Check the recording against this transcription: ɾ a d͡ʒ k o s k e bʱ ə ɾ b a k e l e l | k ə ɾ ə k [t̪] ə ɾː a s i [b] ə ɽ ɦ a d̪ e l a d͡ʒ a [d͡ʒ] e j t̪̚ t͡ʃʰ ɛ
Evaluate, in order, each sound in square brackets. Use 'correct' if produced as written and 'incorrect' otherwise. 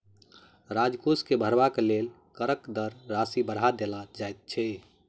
incorrect, correct, incorrect

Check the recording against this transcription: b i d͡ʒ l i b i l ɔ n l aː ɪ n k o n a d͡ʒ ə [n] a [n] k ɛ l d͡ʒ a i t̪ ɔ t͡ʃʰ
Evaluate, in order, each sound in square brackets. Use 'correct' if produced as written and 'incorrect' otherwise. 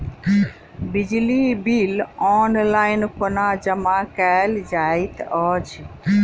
incorrect, incorrect

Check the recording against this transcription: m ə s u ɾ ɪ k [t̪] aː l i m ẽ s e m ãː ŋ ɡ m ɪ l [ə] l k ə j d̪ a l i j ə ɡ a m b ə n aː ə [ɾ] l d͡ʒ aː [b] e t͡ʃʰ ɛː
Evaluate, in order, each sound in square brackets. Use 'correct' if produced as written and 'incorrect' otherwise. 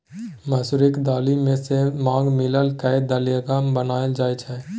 incorrect, correct, incorrect, incorrect

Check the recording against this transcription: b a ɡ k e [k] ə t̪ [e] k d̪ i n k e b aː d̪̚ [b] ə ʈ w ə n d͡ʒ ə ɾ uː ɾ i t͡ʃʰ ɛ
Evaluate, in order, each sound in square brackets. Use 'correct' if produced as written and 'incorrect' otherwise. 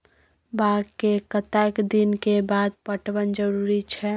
correct, incorrect, incorrect

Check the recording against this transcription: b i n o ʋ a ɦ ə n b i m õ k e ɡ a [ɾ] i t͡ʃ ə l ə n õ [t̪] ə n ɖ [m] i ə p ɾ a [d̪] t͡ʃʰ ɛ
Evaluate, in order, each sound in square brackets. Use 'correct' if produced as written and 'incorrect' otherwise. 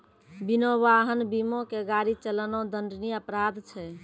correct, incorrect, incorrect, correct

